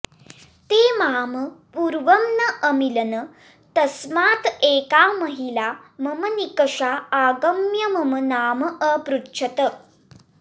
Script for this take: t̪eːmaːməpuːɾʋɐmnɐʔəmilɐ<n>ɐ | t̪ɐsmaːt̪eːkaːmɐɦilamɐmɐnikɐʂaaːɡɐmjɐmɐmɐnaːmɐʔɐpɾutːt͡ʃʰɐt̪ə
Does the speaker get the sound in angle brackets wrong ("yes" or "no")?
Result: no